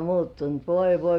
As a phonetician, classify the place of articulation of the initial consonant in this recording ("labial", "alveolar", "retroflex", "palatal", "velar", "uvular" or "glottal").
labial